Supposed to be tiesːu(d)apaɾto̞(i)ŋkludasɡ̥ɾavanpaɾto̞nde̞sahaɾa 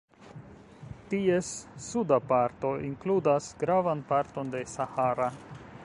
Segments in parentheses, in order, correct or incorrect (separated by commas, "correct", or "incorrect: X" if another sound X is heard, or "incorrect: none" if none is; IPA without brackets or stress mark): correct, correct